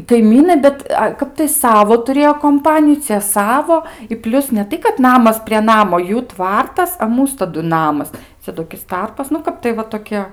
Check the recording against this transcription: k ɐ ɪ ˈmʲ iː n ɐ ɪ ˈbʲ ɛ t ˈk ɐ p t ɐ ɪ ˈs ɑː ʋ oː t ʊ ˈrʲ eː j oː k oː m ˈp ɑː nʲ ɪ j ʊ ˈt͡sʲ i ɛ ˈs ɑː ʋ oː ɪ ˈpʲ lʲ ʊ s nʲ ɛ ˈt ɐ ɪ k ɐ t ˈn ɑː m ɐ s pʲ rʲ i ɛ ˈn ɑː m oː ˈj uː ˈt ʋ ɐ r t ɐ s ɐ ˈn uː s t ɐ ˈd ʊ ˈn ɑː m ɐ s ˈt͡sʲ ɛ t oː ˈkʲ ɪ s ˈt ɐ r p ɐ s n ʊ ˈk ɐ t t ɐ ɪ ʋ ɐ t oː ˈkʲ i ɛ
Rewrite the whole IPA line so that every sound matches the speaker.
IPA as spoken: k ɐ ɪ ˈmʲ iː n ɐ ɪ ˈbʲ ɛ t ˈk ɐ p t ɐ ɪ ˈs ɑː ʋ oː t ʊ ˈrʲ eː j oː k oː m ˈp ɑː nʲ ɪ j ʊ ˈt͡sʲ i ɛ ˈs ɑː ʋ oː ɪ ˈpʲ lʲ ʊ s nʲ ɛ ˈt ɐ ɪ k ɐ t ˈn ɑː m ɐ s pʲ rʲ i ɛ ˈn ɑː m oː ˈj uː ˈt ʋ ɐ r t ɐ s ɐ ˈm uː s t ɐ ˈd ʊ ˈn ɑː m ɐ s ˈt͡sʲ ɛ t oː ˈkʲ ɪ s ˈt ɐ r p ɐ s n ʊ ˈk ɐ p t ɐ ɪ ʋ ɐ t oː ˈkʲ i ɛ